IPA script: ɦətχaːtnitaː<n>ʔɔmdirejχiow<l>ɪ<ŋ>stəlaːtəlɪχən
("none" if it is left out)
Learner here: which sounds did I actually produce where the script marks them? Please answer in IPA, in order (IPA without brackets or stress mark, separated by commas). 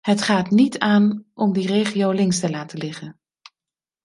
n, l, ŋ